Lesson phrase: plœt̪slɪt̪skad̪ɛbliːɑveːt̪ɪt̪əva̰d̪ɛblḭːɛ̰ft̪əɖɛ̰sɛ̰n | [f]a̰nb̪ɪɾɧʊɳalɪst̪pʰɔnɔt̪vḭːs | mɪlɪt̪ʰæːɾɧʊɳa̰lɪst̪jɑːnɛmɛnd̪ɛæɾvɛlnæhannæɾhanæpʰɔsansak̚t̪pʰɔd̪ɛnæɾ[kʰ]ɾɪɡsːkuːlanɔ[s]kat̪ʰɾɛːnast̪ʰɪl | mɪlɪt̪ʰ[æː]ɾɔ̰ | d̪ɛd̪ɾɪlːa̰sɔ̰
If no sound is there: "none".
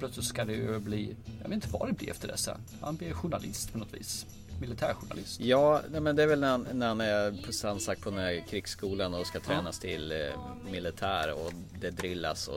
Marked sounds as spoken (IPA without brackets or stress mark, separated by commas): h, kʰ, s, æː